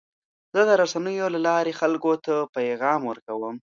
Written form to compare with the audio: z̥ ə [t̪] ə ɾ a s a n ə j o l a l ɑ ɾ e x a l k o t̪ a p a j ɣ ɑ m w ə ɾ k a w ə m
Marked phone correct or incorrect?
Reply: incorrect